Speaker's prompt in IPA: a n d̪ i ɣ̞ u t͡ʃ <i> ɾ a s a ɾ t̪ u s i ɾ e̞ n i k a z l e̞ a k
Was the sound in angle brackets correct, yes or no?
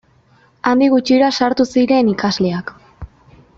yes